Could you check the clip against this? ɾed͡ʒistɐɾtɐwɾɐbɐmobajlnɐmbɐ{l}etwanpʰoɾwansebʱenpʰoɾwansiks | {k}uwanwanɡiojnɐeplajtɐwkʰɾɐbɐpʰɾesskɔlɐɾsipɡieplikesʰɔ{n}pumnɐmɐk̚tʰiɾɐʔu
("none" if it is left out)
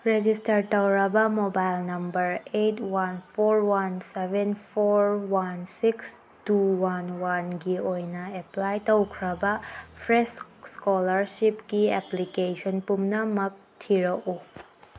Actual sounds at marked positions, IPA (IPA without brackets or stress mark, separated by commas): ɾ, t, n